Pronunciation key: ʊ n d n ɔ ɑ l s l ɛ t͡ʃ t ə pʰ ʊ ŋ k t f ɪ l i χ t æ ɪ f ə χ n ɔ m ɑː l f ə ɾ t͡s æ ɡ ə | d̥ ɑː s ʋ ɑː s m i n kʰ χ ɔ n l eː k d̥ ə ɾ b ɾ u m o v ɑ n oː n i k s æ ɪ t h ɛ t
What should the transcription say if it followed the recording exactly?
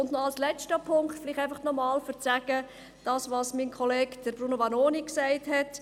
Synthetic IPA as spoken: ʊ n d n ɔ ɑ l s l ɛ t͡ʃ t ə pʰ ʊ ŋ k t f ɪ l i χ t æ ɪ f ɑ χ n ɔ m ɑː l f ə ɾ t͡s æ ɡ ə | d̥ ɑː s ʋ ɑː s m i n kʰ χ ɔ l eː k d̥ ə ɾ b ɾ u n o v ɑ n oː n i k s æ ɪ t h ɛ t